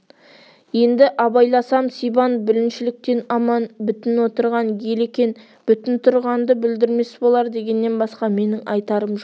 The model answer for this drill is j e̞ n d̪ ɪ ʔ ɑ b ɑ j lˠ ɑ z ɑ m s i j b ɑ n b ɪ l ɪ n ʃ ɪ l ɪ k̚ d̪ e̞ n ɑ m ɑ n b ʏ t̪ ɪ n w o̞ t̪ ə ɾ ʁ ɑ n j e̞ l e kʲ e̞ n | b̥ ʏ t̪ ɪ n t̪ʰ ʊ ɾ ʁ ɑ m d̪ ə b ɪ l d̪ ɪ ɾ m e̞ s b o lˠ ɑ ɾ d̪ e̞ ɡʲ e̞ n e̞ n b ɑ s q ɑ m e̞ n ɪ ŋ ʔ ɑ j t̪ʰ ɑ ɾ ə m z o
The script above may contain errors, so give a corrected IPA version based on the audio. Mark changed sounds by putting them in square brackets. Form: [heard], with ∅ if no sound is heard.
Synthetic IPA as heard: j e̞ n d̪ ɪ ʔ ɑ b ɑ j lˠ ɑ [s] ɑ m s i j b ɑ n b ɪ l ɪ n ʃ ɪ l ɪ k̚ [t̪] e̞ n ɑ m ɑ n b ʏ t̪ ɪ n w o̞ t̪ ə ɾ ʁ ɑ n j e̞ l e kʲ e̞ n | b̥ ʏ t̪ ɪ n t̪ʰ ʊ ɾ ʁ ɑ [n] d̪ ə b ɪ l d̪ ɪ ɾ m e̞ s b o lˠ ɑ ɾ d̪ e̞ ɡʲ e̞ [nː] e̞ n b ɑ s q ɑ m e̞ n ɪ ŋ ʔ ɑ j [t̪] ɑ ɾ ə m [ʒ] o